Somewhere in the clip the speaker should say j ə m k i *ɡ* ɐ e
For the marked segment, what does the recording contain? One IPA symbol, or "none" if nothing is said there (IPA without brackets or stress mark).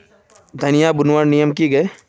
ɡ